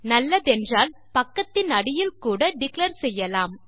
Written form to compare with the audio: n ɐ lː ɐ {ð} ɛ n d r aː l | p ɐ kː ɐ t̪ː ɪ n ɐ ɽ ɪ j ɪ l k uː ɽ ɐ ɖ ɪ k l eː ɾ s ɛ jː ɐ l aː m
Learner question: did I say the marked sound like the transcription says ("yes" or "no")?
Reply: yes